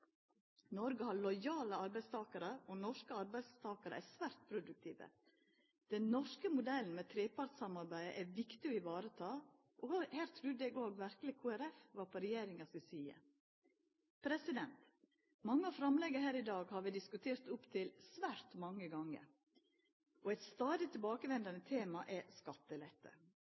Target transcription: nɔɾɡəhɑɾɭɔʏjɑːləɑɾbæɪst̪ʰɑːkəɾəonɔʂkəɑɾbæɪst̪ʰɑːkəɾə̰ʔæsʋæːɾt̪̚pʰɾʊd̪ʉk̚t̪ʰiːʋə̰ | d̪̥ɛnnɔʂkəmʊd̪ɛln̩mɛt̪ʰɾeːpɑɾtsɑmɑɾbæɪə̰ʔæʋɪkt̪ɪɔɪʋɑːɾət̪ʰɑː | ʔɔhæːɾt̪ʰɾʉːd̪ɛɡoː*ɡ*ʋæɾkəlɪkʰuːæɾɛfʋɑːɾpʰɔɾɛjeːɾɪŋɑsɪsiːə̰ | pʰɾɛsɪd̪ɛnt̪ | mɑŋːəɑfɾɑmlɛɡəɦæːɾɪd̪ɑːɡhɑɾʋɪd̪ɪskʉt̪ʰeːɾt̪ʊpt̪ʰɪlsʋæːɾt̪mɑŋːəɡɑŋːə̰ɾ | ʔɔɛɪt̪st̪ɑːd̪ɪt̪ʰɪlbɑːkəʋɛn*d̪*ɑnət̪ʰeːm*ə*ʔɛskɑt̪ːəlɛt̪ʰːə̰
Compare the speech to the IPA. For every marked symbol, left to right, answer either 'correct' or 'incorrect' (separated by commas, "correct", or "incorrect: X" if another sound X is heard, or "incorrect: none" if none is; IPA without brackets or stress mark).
correct, correct, incorrect: ɑ